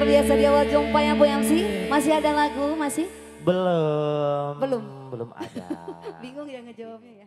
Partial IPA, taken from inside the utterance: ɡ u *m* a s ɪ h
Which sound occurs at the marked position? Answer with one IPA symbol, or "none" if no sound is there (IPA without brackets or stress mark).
m